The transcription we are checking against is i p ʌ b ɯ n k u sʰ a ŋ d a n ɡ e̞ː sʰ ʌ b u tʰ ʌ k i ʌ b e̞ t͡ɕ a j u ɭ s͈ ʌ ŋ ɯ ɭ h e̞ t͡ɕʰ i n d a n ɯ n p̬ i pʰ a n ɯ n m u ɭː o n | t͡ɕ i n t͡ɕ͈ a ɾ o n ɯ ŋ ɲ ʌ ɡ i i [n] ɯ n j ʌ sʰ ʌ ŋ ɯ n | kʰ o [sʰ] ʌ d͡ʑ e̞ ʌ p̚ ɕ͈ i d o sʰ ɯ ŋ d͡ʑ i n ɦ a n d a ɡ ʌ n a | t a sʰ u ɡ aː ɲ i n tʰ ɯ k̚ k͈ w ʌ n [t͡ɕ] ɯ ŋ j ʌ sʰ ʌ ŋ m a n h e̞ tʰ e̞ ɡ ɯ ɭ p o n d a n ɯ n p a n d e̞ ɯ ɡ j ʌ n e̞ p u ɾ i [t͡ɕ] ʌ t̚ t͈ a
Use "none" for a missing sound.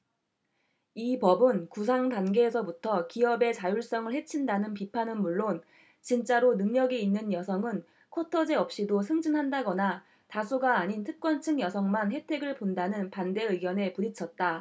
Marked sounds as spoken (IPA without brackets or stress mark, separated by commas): nː, tʰ, t͡ɕʰ, t͡ɕʰ